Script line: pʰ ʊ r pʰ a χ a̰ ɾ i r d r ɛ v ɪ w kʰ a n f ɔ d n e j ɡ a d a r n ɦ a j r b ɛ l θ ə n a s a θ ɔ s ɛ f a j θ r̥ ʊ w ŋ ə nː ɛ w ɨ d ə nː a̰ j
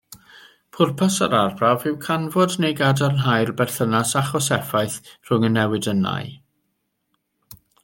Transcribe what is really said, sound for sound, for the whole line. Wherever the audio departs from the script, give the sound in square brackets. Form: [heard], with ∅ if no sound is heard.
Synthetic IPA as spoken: pʰ ʊ r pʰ a [s] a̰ ɾ [a] r [b] r [a] v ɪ w kʰ a n [v] ɔ d n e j ɡ a d a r n ɦ a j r b ɛ [r] θ ə n a s a [χ] ɔ s ɛ f a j θ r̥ ʊ [∅] ŋ ə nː ɛ w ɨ d ə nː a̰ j